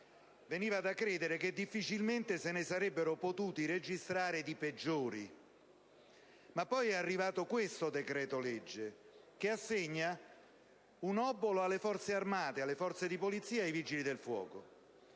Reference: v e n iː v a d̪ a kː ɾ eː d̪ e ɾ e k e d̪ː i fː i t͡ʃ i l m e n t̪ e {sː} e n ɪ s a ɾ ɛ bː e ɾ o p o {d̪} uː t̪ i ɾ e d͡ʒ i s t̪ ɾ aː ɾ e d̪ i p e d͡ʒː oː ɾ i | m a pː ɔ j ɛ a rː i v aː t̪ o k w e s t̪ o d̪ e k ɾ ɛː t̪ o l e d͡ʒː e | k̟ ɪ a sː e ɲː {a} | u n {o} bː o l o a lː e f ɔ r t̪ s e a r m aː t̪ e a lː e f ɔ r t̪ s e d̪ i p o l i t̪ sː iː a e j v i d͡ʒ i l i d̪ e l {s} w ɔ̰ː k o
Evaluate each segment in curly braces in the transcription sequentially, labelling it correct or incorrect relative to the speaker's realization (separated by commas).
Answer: incorrect, incorrect, correct, incorrect, incorrect